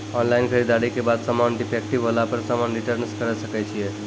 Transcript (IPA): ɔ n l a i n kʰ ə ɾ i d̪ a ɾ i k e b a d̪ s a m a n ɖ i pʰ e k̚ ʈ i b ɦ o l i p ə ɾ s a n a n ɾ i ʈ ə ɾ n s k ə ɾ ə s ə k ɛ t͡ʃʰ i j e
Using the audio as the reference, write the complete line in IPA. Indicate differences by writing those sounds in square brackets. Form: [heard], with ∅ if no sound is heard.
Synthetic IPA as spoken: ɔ n l a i n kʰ ə ɾ i d̪ a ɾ i k e b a d̪ s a m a n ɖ i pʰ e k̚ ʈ i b ɦ o l [a] p ə ɾ s a [m] a n ɾ i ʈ ə ɾ n s k ə ɾ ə s ə k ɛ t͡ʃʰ i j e